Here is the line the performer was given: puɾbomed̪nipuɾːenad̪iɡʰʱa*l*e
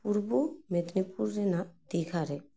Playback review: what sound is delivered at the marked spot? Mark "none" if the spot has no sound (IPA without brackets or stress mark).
ɾ